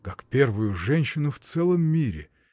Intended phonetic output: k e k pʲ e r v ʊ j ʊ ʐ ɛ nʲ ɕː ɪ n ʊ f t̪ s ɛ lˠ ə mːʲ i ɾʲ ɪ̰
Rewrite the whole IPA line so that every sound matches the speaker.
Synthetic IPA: k a k pʲ e r v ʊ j ʊ ʐ ɛ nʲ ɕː ɪ n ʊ f t̪ s ɛ lˠ ə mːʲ i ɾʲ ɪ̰

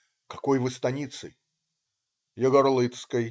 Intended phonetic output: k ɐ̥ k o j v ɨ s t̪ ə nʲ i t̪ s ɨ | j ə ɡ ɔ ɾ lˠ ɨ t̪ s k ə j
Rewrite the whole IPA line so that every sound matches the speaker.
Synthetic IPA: k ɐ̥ k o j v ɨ s t̪ ɐ nʲ i t̪ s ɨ | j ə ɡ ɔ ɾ lˠ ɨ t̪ s k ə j

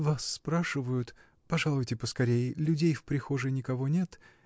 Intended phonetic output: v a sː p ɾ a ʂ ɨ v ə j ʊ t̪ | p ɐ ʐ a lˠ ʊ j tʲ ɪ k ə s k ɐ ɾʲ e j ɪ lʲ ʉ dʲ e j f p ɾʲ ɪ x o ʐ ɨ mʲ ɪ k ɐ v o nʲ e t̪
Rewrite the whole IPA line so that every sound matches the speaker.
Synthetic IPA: v a sː p ɾ a ʂ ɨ v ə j ʊ t̪ | p ɐ ʐ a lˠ ʊ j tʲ ɪ p ə s k ɐ ɾʲ e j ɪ lʲ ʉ dʲ e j f p ɾʲ ɪ x o ʐ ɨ nʲ ɪ k ɐ v o nʲ e t̪

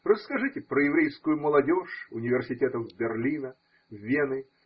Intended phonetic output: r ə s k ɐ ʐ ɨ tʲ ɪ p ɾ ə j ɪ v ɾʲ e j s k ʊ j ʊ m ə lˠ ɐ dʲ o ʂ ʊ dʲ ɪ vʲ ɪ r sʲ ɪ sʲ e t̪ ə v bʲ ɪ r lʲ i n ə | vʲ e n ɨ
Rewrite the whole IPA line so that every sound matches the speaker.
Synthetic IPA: r ə s k ɐ ʐ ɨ tʲ ɪ p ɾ ə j ɪ v ɾʲ e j s k ʊ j ʊ m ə lˠ ɐ dʲ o ʂ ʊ nʲ ɪ vʲ ɪ r sʲ ɪ tʲ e t̪ ə v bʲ ɪ r lʲ i n ə | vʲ e n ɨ

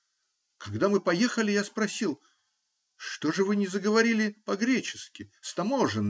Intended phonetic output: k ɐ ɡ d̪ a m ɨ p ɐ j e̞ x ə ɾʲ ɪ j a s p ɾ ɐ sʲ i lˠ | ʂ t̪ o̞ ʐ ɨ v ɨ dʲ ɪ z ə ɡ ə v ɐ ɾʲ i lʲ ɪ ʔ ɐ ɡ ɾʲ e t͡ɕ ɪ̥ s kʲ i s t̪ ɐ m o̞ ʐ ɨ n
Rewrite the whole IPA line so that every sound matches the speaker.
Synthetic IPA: k ɐ ɡ d̪ a m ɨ p ɐ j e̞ x ə lʲ ɪ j a s p ɾ ɐ sʲ i lˠ | ʂ t̪ o̞ ʐ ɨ v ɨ nʲ ɪ z ə ɡ ə v ɐ ɾʲ i lʲ ɪ p ɐ ɡ ɾʲ e t͡ɕ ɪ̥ s kʲ ɪ s t̪ ɐ m o̞ ʐ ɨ n

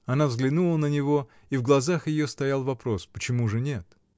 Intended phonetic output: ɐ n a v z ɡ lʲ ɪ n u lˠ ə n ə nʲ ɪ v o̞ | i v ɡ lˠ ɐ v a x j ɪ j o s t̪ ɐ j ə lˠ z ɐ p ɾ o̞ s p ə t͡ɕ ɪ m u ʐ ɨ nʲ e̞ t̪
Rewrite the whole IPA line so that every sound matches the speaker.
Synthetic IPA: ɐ n a v z ɡ lʲ ɪ n u lˠ ə n ə nʲ ɪ v o̞ | i v ɡ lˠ ɐ z a x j ɪ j o s t̪ ɐ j a lˠ v ɐ p ɾ o̞ s p ə t͡ɕ ɪ m u ʐ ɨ nʲ e̞ t̪

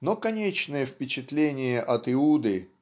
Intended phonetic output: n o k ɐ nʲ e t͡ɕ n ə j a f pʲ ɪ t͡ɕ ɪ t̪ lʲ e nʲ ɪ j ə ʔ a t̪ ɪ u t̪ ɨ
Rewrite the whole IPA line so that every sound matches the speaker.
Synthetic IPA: n o k ɐ nʲ e t͡ɕ n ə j ə f pʲ ɪ t͡ɕ ɪ t̪ lʲ e nʲ ɪ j ə ʔ ɐ t̪ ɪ u d̪ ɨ

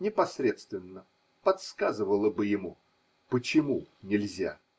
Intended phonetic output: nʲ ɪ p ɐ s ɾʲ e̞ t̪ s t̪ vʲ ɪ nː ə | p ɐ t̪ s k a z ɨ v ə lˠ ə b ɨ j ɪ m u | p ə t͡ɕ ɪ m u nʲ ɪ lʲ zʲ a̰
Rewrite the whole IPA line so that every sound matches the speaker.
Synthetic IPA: nʲ ɪ p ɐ s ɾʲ e̞ t̪ s t̪ vʲ ɪ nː ə | p ɐ t̪ s k a z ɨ v ə lˠ ə b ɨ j ɪ m u | p ə t͡ɕ ɪ m u nʲ ɪ lʲ zʲ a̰

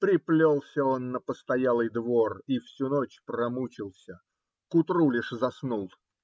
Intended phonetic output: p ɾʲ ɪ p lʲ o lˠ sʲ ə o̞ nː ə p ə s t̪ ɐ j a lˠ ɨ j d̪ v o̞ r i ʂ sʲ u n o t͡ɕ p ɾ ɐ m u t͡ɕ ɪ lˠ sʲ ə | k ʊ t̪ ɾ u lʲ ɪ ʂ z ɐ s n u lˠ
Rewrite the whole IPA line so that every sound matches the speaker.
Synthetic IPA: p ɾʲ ɪ p lʲ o lˠ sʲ ə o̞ nː ə p ə s t̪ ɐ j a lˠ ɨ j d̪ v o̞ r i f sʲ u n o t͡ɕ p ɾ ɐ m u t͡ɕ ɪ lˠ sʲ ə | k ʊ t̪ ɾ u lʲ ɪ ʂ z ɐ s n u lˠ

